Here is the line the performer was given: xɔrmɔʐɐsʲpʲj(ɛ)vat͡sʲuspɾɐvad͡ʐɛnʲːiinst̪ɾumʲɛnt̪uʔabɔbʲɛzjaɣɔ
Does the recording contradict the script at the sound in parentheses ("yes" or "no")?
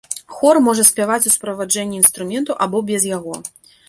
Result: yes